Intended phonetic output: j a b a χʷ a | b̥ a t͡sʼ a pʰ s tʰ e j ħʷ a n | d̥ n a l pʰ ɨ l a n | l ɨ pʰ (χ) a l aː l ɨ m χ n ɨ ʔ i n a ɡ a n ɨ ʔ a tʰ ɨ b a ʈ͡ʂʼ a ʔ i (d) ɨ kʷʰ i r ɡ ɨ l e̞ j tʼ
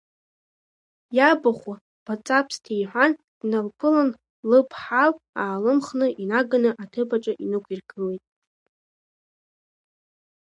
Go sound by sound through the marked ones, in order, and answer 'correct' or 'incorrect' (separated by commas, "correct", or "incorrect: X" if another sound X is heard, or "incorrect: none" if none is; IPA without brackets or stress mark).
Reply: incorrect: ħ, incorrect: n